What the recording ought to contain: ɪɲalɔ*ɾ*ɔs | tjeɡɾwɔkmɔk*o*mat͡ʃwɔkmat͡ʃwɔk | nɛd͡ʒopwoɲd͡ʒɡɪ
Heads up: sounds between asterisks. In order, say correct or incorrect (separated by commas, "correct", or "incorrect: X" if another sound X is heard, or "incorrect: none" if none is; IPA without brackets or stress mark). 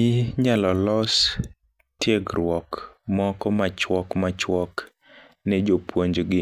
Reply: incorrect: l, incorrect: ɔ